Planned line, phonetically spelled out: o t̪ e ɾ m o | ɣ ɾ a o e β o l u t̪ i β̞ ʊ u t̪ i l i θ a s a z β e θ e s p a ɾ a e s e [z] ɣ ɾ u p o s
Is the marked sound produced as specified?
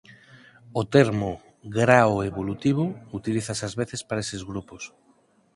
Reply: yes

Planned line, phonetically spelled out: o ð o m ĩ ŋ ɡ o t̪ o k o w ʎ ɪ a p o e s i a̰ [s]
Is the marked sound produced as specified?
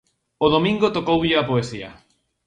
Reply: no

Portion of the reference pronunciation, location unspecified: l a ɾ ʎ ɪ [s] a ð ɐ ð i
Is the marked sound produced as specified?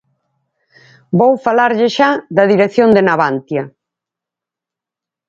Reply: no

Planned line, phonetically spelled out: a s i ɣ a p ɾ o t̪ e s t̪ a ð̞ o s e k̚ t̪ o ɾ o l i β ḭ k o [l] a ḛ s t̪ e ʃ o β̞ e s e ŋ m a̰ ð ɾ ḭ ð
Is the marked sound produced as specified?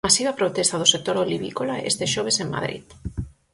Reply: yes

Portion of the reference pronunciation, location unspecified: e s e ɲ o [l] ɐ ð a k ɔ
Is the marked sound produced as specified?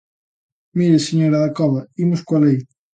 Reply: no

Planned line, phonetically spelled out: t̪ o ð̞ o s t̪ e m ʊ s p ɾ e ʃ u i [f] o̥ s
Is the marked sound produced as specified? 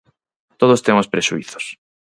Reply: no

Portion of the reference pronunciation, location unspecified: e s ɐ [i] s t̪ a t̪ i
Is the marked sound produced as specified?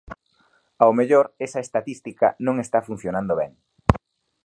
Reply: no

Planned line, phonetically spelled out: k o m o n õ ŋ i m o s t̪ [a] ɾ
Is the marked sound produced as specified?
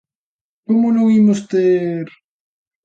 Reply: no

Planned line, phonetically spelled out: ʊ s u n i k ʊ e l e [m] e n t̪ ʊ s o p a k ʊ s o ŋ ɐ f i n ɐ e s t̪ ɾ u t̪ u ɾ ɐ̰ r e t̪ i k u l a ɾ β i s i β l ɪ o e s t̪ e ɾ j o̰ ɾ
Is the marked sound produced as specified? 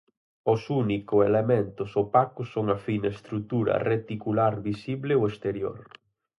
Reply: yes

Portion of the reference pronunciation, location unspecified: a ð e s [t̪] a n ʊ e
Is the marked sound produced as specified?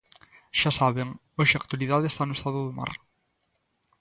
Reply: yes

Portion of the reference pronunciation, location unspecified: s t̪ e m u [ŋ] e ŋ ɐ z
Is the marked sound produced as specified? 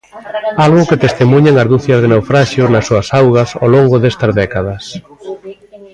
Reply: no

